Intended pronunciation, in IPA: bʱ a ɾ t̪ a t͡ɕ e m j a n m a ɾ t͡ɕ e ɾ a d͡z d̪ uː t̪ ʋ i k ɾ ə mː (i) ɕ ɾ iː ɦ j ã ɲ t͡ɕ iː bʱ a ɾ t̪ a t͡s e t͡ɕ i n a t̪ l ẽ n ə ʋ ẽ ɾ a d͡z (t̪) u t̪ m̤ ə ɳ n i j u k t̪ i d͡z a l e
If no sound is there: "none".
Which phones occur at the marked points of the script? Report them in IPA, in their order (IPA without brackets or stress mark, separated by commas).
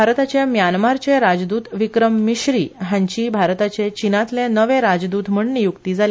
i, d̪